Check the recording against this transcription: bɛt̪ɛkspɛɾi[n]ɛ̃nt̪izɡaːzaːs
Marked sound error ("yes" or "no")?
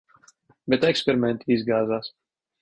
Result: yes